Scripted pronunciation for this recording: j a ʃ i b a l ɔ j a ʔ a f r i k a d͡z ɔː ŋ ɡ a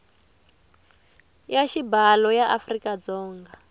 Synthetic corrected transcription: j a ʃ i b a l ɔ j a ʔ a f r i k a d͡z ɔː ŋ ɡ a